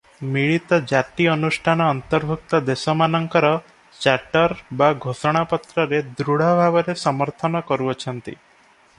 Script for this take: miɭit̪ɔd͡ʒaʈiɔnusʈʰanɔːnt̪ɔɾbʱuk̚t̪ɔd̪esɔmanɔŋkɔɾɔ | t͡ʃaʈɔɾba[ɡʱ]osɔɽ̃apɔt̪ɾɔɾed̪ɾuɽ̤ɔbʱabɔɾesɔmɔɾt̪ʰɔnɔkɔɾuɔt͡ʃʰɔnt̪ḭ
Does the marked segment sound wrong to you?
no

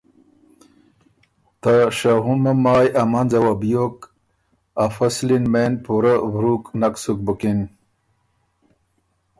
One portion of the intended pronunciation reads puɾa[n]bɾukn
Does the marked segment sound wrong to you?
yes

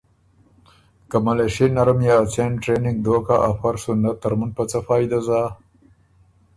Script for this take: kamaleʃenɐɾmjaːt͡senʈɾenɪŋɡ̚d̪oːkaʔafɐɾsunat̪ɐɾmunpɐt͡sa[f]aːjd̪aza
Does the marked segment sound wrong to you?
no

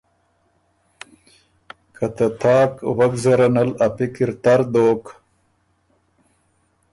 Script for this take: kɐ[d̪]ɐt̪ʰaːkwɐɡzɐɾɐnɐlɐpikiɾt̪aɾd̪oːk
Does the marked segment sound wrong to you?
yes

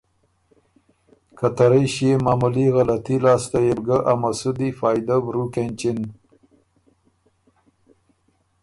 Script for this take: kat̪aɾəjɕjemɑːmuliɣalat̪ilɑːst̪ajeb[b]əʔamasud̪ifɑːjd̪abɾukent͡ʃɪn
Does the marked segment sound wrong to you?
yes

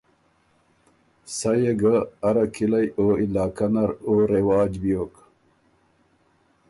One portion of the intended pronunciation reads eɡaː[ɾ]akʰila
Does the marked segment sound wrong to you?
no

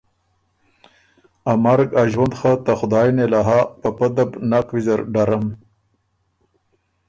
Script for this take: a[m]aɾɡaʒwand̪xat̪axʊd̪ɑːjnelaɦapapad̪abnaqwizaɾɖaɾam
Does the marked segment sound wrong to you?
no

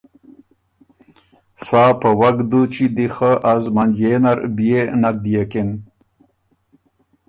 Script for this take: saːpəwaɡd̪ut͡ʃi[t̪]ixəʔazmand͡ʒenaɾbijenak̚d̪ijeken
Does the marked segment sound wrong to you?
yes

